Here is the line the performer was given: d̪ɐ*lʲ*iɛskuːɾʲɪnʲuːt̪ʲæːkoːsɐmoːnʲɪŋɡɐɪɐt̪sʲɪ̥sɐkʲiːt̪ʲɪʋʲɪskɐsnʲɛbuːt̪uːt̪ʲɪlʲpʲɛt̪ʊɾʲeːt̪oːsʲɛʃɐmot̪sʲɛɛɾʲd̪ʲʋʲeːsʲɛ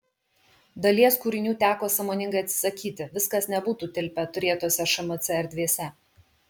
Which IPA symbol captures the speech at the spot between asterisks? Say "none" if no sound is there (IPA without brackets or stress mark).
lʲ